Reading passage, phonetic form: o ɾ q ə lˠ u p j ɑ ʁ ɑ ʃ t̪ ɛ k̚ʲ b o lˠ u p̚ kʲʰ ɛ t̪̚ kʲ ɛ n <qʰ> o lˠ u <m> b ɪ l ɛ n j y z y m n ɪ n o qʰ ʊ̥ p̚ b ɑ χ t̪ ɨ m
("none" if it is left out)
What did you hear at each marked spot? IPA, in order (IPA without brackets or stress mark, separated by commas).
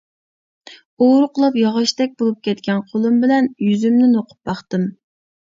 qʰ, m